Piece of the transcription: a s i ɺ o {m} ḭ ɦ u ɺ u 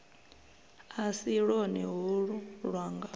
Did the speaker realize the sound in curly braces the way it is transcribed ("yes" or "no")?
no